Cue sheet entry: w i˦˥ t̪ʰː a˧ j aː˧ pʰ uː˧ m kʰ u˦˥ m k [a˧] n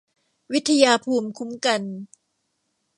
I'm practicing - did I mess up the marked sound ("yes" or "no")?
no